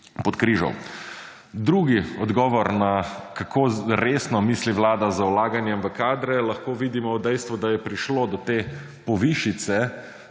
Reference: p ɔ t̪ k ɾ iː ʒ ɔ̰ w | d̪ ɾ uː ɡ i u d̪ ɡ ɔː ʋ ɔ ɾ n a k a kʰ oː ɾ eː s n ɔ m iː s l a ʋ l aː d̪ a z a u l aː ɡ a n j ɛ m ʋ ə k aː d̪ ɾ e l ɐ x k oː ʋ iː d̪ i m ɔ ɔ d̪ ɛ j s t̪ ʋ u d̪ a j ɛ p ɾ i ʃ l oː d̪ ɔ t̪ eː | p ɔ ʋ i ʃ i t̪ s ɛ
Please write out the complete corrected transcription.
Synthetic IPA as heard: p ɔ t̪ k ɾ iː ʒ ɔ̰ w | d̪ ɾ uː ɡ i ɔ d̪ ɡ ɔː ʋ ɔ ɾ n a k a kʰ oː ɾ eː s n ɔ m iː s l i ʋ l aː d̪ a z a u l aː ɡ a n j ɛ m ʋ ə k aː d̪ ɾ ɛ l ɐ x k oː ʋ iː d̪ i m ɔ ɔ d̪ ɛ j s t̪ ʋ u d̪ a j ɛ p ɾ i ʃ l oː d̪ ɔ t̪ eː | p ɔ ʋ i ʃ i t̪ s ɛ